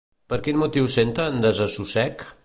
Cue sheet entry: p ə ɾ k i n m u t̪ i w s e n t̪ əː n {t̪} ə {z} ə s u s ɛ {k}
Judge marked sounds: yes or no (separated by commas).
no, yes, yes